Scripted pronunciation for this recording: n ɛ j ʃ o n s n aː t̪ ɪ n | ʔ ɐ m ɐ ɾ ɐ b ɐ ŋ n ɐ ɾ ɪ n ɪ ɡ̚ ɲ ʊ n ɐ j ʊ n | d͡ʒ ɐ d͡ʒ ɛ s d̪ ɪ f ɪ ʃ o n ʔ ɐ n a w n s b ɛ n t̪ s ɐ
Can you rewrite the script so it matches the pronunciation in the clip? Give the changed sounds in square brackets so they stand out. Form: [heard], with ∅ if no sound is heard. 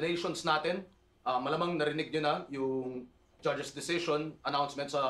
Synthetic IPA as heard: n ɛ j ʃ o n s n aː t̪ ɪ n | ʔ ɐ m ɐ [l] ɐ [m] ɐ ŋ n ɐ ɾ ɪ n ɪ ɡ̚ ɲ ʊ n ɐ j ʊ [ŋ] | d͡ʒ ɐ d͡ʒ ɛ s d̪ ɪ [s] ɪ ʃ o n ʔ ɐ n a w n s [m] ɛ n t̪ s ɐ